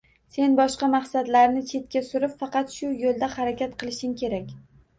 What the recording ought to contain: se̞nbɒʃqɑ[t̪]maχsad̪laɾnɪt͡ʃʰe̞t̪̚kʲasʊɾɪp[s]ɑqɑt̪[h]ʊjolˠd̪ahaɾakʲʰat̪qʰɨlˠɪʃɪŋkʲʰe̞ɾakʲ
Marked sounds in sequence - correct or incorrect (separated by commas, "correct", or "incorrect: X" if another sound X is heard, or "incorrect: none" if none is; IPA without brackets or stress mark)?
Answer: incorrect: none, incorrect: f, incorrect: ʃ